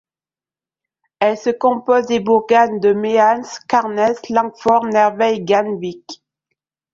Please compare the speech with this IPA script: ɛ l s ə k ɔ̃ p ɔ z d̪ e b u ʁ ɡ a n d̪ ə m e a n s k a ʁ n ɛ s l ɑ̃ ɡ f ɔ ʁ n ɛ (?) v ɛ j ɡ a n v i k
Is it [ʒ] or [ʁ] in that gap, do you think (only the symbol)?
ʁ